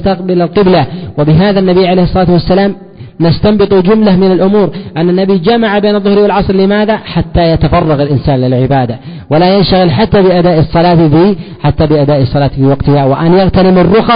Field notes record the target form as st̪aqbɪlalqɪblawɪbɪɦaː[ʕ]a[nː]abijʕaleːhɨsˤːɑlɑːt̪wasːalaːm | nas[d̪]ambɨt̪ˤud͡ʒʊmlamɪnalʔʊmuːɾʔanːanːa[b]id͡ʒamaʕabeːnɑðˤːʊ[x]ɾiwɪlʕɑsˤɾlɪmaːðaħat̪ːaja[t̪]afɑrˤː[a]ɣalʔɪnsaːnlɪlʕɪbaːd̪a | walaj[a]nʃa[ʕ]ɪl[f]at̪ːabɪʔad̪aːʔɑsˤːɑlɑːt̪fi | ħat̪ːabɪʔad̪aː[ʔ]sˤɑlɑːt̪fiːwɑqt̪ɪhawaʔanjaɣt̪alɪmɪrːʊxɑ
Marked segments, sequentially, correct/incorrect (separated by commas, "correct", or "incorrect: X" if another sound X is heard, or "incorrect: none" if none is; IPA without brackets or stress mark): incorrect: ð, correct, incorrect: t̪, correct, incorrect: h, correct, incorrect: ɑ, correct, incorrect: ɣ, incorrect: ħ, correct